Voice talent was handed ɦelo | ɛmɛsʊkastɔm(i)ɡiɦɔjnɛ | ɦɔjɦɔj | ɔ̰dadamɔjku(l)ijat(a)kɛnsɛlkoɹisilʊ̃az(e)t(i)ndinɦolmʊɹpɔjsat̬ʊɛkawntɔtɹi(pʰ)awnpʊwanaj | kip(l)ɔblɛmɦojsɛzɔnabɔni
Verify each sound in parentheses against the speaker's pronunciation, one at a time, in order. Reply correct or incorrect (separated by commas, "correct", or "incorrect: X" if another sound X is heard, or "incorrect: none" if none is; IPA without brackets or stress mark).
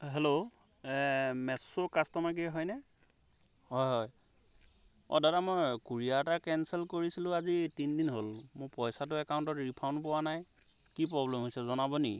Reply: incorrect: a, incorrect: ɹ, correct, incorrect: i, correct, correct, incorrect: ɹ